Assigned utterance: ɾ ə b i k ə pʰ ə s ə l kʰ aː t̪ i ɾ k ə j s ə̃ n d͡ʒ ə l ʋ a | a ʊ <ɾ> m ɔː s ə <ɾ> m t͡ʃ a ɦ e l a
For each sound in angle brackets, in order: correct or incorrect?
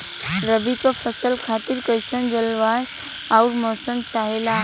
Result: correct, incorrect

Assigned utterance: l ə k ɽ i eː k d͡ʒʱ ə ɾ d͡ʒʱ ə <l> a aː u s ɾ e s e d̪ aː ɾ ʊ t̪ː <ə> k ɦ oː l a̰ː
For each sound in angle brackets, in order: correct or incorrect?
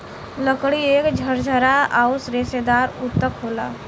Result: incorrect, correct

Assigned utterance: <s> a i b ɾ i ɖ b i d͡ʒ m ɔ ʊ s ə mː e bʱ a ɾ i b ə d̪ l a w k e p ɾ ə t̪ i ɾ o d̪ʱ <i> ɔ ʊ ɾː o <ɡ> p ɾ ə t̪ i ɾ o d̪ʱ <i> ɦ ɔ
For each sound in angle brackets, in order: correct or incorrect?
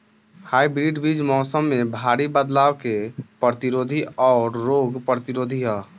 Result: incorrect, correct, correct, correct

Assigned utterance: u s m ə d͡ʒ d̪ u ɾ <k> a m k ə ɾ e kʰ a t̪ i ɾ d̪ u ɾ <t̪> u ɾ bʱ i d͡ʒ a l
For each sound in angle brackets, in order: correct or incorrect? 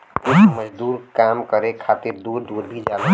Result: correct, incorrect

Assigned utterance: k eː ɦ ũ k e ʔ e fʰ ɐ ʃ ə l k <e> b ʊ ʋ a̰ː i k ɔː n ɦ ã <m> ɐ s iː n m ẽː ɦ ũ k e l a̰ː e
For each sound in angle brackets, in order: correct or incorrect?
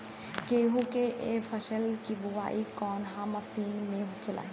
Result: incorrect, correct

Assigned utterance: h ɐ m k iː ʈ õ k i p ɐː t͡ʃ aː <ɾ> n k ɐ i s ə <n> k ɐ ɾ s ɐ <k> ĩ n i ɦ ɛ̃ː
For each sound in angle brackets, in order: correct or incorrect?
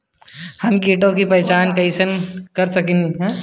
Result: incorrect, correct, correct

